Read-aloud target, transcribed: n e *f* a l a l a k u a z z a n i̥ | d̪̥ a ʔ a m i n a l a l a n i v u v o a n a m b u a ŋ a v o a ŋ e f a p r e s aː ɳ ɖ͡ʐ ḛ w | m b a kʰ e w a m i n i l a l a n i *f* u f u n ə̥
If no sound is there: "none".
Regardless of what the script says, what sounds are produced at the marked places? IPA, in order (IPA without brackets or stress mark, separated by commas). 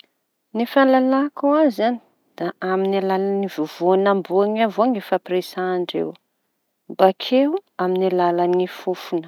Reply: f, f